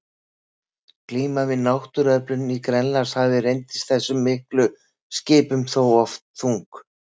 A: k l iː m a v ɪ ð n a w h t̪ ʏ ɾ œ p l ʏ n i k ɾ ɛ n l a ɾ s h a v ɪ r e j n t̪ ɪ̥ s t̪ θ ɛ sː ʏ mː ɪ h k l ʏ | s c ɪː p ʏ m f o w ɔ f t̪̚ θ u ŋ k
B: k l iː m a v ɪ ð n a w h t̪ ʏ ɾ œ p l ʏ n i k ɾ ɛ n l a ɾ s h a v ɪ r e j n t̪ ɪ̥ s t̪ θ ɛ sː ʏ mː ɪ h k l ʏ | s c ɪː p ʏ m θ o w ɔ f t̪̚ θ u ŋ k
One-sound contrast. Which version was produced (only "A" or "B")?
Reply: B